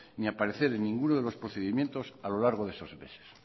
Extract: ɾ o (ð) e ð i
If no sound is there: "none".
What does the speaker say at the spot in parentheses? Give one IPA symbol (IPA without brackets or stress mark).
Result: θ